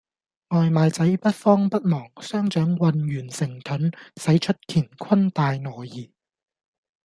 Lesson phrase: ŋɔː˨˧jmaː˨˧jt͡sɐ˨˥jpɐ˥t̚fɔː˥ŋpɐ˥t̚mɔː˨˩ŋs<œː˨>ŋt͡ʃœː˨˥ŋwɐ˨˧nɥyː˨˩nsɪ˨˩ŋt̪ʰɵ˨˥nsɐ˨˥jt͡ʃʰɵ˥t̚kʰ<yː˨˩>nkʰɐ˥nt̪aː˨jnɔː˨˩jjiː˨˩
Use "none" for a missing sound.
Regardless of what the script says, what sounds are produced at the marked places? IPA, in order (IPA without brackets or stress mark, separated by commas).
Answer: œː˥, iː˨˩